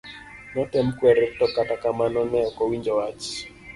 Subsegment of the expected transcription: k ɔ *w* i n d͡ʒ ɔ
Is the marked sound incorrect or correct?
correct